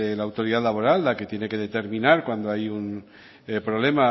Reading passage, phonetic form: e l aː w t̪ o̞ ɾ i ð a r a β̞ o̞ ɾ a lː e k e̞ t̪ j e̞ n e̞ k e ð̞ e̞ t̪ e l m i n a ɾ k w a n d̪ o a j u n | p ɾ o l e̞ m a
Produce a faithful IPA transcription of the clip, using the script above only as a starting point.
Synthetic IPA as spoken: e l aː w t̪ o̞ ɾ i ð a l a β̞ o̞ ɾ a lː a k e̞ t̪ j e̞ n e̞ k e ð̞ e̞ t̪ e ɾ m i n a ɾ k w a n d̪ o a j u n | p ɾ o l e̞ m a